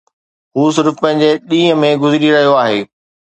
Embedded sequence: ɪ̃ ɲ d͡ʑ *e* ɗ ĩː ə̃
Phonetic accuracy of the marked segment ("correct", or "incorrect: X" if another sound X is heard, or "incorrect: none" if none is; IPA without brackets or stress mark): correct